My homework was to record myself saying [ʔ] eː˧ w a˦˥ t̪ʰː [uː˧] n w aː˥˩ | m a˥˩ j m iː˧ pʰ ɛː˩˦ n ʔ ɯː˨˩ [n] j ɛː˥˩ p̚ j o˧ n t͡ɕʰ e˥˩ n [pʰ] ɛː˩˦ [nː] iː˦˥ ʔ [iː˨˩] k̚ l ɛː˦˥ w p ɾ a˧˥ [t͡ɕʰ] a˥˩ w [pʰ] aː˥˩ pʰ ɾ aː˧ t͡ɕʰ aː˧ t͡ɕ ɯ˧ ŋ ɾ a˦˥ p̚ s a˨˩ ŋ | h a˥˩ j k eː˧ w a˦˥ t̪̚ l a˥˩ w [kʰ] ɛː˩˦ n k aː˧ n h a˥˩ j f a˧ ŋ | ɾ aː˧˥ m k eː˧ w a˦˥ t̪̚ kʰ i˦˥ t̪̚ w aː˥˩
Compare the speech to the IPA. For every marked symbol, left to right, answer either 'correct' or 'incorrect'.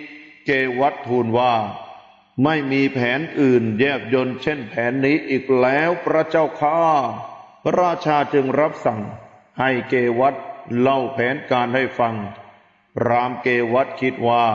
incorrect, correct, correct, correct, correct, correct, incorrect, incorrect, incorrect

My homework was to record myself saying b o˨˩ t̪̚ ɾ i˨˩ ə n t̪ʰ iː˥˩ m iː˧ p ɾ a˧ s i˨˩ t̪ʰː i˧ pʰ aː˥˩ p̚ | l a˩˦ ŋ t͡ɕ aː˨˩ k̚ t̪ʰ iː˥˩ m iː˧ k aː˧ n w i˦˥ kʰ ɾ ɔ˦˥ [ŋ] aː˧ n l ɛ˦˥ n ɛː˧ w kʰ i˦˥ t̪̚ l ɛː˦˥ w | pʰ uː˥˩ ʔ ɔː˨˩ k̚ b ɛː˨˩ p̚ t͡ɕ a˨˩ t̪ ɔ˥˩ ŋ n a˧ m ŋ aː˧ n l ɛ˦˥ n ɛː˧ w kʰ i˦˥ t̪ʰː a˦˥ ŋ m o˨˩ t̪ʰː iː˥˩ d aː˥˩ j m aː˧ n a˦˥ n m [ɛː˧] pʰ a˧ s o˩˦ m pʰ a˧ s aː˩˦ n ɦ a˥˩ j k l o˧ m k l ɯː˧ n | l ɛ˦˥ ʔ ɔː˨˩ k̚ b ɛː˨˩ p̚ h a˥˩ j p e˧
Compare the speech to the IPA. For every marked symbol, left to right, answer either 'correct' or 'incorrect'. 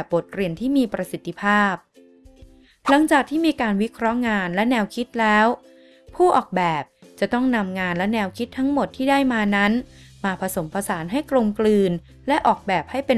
correct, incorrect

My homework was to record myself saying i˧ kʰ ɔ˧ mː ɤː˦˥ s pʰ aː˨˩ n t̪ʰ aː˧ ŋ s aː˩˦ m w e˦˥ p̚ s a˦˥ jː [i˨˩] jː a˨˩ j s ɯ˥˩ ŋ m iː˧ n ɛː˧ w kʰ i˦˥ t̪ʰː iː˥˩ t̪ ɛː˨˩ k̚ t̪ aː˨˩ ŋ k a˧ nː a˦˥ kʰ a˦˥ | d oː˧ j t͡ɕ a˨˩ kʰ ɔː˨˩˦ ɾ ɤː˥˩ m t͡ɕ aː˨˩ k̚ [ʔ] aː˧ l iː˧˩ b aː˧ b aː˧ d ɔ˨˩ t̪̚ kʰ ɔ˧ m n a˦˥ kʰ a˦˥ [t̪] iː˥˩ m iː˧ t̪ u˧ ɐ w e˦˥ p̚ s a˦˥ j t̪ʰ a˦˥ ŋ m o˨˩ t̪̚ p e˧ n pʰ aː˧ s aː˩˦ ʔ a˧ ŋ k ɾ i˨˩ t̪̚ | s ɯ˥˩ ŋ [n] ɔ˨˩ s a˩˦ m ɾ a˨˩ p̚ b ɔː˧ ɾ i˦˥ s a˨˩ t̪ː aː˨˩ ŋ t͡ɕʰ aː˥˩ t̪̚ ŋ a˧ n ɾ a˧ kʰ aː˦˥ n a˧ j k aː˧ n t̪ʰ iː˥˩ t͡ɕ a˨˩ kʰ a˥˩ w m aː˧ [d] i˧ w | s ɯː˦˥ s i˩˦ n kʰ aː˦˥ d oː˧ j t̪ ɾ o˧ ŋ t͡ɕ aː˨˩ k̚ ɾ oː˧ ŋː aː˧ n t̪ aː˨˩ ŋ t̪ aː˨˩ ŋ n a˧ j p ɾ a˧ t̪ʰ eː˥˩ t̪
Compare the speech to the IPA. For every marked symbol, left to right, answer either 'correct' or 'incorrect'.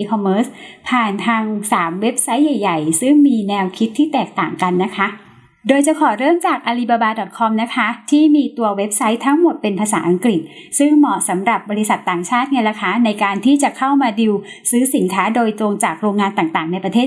incorrect, correct, incorrect, incorrect, correct

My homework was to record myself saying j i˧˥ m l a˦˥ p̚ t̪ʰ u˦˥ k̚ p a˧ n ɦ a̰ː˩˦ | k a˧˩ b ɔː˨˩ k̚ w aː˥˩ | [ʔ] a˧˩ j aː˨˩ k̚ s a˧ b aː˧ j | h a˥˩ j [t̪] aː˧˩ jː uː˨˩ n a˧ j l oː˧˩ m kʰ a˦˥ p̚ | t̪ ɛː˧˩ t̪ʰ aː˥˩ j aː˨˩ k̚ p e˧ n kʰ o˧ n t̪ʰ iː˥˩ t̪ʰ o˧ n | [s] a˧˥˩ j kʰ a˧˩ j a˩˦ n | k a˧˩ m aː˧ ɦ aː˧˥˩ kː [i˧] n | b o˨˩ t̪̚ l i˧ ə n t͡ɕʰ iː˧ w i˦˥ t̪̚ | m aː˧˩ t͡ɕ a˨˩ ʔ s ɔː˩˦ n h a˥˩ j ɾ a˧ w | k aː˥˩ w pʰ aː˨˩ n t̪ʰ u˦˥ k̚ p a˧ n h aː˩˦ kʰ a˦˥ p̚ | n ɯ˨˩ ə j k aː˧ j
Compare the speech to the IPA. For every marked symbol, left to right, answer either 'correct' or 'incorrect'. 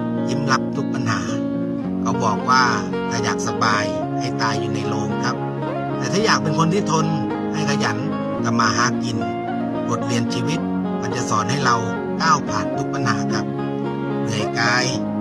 incorrect, correct, incorrect, correct

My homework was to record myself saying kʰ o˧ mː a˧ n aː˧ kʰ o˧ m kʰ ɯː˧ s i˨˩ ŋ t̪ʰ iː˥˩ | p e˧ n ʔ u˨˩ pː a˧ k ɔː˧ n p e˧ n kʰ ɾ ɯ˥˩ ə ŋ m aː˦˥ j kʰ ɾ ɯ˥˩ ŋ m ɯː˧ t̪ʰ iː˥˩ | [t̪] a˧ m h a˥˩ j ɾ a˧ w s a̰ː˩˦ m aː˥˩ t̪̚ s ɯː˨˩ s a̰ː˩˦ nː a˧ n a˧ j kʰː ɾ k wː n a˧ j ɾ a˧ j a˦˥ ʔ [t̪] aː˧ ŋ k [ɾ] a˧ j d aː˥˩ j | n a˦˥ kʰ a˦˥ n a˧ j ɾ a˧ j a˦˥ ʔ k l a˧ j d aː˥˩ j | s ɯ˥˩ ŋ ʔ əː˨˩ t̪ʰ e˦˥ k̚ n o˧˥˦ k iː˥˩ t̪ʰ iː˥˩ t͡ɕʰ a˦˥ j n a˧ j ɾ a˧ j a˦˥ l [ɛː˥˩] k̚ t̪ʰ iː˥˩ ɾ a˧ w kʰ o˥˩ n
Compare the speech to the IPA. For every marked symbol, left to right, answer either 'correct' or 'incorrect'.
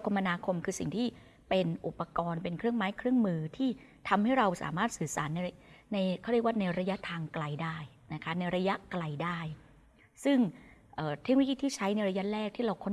incorrect, incorrect, incorrect, correct

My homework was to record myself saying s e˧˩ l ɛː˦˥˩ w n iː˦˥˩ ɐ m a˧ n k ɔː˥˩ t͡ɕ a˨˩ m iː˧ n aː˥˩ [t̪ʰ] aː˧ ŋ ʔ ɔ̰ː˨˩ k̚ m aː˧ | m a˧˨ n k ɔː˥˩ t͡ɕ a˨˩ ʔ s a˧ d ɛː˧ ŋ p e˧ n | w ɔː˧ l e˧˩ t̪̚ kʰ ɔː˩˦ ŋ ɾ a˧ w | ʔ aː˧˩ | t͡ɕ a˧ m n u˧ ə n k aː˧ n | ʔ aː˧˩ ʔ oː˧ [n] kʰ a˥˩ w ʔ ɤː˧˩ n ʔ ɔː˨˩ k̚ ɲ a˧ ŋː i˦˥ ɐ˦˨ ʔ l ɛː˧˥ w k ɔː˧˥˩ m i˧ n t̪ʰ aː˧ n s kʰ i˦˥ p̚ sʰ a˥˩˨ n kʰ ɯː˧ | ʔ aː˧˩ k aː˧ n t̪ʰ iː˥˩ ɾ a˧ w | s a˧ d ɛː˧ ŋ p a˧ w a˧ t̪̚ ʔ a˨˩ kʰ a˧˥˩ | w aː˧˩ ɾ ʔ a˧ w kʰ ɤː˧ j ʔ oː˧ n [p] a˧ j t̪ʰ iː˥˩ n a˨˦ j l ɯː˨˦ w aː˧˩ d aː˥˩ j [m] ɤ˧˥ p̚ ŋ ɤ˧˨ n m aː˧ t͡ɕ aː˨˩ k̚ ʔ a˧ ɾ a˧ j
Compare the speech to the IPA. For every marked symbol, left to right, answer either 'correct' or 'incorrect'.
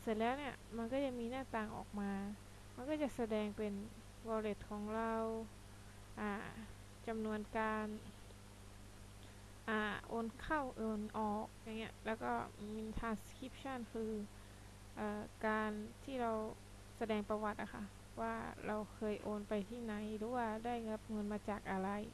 incorrect, correct, correct, incorrect

